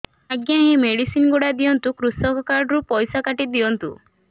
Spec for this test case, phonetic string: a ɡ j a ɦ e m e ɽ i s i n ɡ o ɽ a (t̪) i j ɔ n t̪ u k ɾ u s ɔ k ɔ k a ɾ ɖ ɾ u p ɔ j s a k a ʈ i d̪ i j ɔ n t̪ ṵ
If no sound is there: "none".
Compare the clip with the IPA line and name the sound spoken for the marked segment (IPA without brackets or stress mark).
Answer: d̪